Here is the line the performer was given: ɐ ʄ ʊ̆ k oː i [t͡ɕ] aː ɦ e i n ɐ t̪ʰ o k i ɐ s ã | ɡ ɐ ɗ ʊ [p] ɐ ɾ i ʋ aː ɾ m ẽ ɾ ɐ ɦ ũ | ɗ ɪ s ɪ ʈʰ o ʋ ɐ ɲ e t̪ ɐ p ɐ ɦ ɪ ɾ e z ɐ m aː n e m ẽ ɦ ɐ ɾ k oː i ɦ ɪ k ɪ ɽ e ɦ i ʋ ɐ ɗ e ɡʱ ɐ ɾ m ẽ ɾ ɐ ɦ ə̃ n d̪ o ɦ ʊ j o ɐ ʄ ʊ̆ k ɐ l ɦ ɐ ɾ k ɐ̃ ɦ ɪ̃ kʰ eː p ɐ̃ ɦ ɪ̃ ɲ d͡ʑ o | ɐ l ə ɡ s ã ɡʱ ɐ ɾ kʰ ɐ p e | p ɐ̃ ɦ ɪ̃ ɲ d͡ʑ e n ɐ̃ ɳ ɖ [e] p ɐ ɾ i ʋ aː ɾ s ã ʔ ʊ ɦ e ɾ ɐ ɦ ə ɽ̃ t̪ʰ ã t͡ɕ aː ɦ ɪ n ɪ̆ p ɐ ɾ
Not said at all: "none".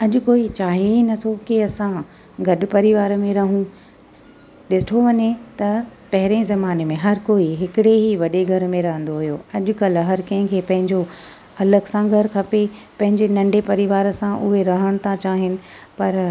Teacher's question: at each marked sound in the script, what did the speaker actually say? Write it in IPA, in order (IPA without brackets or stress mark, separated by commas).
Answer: t͡ɕ, p, e